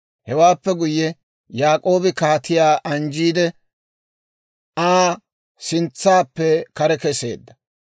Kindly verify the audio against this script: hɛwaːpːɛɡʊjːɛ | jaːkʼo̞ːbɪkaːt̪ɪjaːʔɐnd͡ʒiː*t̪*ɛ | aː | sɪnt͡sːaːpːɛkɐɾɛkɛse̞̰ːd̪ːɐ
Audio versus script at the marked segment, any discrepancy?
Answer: yes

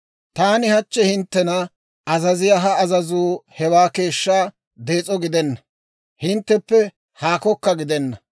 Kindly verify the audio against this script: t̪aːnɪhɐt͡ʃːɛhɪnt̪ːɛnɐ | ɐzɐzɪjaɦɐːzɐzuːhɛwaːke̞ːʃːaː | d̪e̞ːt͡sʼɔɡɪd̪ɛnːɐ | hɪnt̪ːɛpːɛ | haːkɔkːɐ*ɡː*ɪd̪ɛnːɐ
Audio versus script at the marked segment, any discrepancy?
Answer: yes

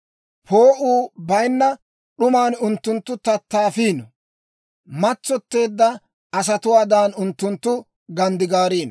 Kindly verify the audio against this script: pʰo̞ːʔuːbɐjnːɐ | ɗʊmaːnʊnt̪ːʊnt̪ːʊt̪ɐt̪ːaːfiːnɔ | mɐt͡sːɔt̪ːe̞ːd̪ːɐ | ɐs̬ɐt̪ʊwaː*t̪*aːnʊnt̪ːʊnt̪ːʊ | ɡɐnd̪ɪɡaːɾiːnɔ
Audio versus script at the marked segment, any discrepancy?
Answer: yes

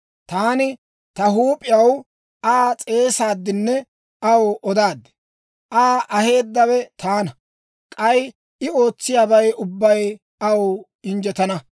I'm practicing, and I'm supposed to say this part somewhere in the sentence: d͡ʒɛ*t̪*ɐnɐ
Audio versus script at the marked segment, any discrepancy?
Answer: no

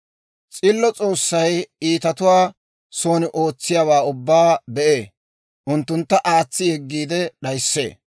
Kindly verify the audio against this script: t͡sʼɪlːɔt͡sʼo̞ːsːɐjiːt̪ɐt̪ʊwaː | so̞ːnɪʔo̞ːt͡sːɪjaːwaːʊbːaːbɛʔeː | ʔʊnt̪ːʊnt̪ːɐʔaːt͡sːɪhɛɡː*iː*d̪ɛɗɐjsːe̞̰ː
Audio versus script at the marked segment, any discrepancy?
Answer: no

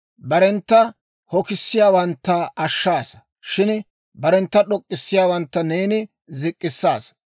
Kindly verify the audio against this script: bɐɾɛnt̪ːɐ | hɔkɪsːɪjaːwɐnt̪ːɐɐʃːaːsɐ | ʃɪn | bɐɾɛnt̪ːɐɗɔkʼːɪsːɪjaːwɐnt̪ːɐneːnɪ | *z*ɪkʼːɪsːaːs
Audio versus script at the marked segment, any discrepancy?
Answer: no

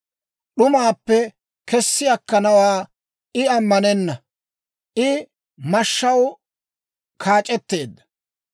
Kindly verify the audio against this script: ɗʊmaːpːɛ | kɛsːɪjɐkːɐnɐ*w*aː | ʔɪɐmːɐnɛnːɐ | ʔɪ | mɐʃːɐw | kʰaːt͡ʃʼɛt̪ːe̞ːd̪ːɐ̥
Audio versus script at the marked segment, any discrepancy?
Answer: no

